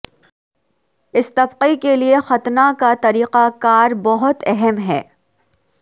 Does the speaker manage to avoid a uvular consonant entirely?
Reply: no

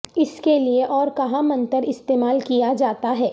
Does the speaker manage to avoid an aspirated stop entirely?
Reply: yes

